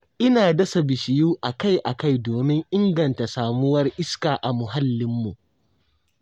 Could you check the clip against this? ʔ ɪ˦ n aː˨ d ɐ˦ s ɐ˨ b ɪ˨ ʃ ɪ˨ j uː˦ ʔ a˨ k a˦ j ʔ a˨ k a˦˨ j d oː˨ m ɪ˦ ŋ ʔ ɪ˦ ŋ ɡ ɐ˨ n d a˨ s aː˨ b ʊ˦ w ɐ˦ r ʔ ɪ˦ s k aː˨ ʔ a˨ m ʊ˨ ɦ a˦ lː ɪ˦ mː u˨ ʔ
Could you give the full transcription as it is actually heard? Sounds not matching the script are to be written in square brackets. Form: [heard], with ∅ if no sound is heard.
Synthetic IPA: ʔ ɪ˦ n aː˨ d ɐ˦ s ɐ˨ b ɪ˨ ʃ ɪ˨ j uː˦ ʔ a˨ k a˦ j ʔ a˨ k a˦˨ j d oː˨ m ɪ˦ ŋ ʔ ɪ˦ ŋ ɡ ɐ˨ n [t] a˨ s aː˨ [m] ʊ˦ w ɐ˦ r ʔ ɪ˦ s k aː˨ ʔ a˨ m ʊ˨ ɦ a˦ lː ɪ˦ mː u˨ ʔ